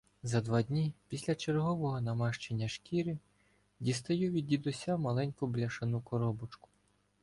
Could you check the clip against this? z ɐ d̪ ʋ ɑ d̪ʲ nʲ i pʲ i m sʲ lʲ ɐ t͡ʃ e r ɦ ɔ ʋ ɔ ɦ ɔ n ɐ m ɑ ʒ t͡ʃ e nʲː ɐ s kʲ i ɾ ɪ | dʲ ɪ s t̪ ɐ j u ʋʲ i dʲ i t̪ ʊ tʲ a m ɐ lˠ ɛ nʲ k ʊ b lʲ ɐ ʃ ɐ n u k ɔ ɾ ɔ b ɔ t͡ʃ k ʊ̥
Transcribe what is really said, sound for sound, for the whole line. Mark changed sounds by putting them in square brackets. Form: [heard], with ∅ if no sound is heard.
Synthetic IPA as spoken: z ɐ d̪ ʋ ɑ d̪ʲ nʲ i pʲ i [∅] sʲ lʲ ɐ t͡ʃ e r ɦ ɔ ʋ ɔ ɦ ɔ n ɐ m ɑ [ʃ] t͡ʃ e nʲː ɐ [ʃ] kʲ i ɾ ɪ | dʲ [i] s t̪ ɐ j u ʋʲ i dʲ i [d̪] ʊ [sʲ] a m ɐ lˠ ɛ nʲ k ʊ b lʲ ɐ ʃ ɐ n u k ɔ ɾ ɔ b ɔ t͡ʃ k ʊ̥